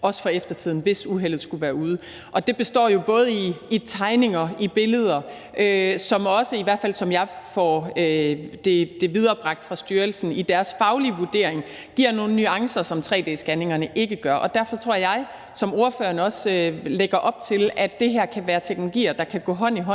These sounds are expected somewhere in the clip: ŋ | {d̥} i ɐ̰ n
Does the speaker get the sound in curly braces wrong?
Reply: yes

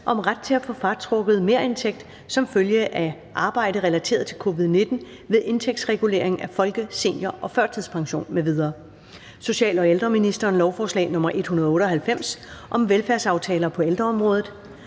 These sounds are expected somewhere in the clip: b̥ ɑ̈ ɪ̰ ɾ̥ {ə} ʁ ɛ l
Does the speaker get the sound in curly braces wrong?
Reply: no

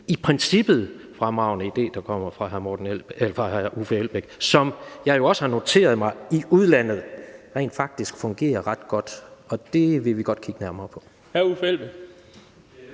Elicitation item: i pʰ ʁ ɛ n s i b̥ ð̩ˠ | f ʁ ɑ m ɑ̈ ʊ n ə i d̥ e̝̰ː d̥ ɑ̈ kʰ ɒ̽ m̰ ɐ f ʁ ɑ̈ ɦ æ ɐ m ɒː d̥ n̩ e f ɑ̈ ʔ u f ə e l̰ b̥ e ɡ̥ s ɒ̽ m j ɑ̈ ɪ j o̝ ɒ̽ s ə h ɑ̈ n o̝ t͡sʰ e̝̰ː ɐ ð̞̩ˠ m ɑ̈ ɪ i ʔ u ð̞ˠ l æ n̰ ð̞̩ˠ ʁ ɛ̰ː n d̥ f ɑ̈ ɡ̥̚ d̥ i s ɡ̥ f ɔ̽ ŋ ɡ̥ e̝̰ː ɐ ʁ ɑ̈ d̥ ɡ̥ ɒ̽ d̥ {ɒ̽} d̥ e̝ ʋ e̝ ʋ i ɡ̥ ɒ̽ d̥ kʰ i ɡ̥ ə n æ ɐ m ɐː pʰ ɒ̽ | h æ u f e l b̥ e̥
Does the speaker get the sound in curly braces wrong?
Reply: no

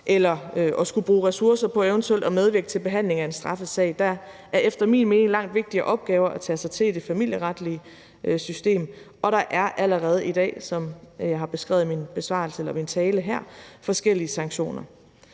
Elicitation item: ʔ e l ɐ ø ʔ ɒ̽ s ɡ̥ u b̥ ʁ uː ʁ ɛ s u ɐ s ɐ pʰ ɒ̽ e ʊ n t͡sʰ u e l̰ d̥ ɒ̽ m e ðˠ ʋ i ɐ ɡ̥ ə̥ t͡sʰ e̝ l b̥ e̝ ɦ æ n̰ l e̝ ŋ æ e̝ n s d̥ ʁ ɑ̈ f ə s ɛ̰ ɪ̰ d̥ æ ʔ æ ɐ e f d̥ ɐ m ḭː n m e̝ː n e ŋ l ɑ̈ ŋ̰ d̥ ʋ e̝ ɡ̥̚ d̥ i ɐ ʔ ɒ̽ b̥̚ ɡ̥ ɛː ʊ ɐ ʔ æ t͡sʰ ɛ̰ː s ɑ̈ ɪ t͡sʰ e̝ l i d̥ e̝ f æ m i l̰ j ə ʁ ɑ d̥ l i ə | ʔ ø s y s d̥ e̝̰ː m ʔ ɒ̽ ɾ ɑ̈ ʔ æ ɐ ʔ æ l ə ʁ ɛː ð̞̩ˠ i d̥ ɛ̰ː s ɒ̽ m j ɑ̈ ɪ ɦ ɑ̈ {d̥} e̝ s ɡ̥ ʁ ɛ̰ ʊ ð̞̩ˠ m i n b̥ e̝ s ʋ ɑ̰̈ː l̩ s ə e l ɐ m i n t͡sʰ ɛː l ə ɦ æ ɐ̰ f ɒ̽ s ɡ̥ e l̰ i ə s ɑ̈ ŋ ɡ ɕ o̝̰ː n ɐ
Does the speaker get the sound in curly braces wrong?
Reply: yes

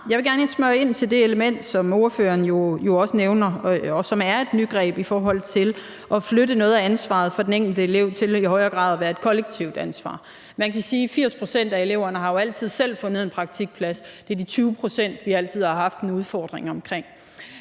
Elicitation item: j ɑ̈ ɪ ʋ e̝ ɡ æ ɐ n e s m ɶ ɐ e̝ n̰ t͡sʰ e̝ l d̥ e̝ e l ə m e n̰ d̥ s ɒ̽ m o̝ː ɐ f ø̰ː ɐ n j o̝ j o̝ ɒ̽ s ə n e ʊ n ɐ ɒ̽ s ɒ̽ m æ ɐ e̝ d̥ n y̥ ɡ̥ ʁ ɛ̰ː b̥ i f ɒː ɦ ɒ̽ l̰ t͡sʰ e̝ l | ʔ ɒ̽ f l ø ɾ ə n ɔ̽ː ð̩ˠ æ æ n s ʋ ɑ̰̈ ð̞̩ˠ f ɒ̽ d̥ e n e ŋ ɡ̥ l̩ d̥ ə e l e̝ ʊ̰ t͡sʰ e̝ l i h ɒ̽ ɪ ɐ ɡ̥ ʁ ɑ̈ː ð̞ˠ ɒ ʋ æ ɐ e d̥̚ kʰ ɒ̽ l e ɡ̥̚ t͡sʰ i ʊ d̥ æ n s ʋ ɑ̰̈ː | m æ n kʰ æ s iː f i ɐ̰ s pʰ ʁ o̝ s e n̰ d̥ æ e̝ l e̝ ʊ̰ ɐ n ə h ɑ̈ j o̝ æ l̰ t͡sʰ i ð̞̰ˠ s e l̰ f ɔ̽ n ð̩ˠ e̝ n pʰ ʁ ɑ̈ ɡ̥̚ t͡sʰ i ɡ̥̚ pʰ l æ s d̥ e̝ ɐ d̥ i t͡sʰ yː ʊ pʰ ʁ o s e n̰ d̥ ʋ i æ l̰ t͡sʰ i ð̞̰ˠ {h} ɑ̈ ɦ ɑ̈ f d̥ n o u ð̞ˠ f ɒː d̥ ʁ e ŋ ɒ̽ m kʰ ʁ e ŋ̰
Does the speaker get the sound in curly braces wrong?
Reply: no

